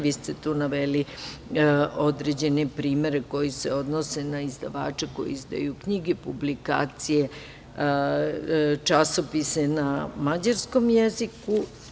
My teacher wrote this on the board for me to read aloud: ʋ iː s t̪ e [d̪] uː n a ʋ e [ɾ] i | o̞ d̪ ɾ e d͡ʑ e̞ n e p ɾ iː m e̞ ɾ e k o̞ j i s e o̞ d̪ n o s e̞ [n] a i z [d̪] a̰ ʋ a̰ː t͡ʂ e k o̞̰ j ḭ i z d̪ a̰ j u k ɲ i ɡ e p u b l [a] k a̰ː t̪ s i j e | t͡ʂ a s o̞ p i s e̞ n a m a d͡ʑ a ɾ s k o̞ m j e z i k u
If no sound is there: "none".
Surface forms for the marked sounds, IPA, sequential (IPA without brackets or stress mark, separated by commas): t̪, l, n, d̪, i